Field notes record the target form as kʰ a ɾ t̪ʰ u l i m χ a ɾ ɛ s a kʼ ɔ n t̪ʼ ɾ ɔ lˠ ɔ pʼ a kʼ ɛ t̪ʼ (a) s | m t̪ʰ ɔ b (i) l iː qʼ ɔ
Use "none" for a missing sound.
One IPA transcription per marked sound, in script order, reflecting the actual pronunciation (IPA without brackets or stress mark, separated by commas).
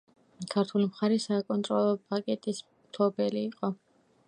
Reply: i, ɛ